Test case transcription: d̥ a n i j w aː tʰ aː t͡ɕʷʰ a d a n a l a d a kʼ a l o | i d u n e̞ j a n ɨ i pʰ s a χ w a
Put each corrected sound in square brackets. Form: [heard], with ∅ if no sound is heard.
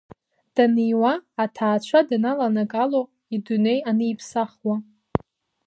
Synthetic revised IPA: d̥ a n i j w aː tʰ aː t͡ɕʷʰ a d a n a l a [n] a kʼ a l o | i d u n e̞ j a n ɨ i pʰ s a χ w a